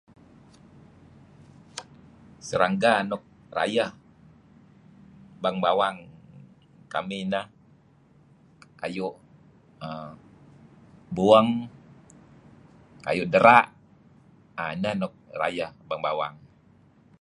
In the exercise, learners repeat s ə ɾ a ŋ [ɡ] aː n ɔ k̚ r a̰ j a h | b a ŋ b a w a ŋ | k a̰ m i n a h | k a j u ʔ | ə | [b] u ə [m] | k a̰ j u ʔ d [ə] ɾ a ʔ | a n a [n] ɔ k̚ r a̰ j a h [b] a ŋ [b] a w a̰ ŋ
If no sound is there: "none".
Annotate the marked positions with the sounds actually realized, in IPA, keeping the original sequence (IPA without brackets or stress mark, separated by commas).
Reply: ɡ, b, ŋ, ə, n, b, b